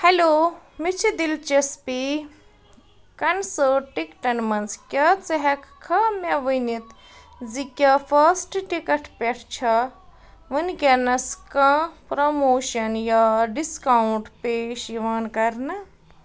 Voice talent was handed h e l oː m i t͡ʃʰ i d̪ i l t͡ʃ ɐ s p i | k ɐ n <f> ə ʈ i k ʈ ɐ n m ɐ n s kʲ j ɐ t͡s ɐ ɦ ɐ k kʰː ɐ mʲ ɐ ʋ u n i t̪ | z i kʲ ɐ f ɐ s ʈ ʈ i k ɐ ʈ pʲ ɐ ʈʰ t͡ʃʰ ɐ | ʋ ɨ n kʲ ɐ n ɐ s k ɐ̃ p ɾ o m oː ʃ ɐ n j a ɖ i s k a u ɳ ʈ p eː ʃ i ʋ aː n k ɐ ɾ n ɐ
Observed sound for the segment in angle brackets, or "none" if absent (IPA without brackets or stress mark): s